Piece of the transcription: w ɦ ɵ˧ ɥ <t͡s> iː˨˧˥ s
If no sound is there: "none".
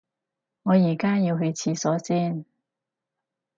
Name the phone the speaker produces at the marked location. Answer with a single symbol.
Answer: t͡sʰ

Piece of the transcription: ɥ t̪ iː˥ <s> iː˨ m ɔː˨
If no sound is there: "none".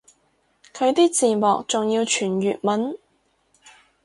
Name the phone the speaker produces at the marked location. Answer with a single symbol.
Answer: t͡s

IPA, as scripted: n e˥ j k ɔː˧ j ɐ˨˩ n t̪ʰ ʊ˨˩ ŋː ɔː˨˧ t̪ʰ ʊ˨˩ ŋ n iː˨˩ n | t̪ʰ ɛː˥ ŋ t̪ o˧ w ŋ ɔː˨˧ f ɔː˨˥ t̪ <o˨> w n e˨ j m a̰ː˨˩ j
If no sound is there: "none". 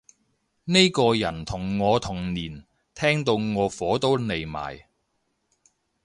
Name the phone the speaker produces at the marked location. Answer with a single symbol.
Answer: o˥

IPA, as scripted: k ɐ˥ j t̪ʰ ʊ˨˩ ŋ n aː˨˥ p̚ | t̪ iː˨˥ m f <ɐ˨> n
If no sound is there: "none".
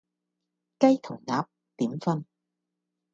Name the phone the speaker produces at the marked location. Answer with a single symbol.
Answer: ɐ˥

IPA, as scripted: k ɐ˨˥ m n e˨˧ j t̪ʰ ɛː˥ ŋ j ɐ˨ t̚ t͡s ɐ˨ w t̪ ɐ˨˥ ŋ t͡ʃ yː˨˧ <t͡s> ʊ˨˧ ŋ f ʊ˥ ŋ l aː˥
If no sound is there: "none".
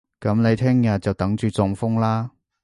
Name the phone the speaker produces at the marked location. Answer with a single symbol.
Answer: t͡s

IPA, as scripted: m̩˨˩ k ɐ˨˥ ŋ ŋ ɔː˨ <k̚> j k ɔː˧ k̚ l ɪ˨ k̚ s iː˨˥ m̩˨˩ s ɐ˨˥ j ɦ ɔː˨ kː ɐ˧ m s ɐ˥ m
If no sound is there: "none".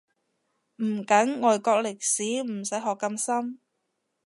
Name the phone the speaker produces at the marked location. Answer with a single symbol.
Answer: none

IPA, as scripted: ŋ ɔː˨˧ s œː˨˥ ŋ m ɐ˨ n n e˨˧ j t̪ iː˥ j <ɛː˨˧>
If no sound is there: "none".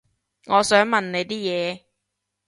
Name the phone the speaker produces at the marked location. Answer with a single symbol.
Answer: ɛː˨˧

